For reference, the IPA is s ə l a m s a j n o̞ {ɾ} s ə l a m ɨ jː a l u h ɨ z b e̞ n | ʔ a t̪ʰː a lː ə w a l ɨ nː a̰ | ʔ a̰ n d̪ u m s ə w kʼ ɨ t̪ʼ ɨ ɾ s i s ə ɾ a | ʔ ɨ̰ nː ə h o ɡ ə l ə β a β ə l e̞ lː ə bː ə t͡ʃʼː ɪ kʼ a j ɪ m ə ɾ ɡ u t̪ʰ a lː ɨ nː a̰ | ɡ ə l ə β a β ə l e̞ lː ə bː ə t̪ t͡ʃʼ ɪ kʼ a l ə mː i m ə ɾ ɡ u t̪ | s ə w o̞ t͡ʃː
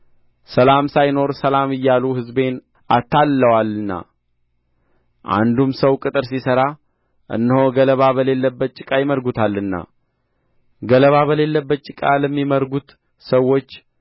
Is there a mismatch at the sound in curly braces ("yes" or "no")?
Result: no